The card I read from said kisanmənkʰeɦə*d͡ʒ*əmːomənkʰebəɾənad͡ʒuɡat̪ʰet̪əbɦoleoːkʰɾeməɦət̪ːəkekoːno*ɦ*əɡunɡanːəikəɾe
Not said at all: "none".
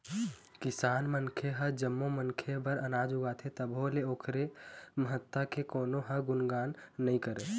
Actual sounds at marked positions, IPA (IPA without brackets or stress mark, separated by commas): d͡ʒ, ɦ